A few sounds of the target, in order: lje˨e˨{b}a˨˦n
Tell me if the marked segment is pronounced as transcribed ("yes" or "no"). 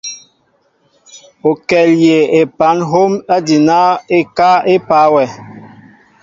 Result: no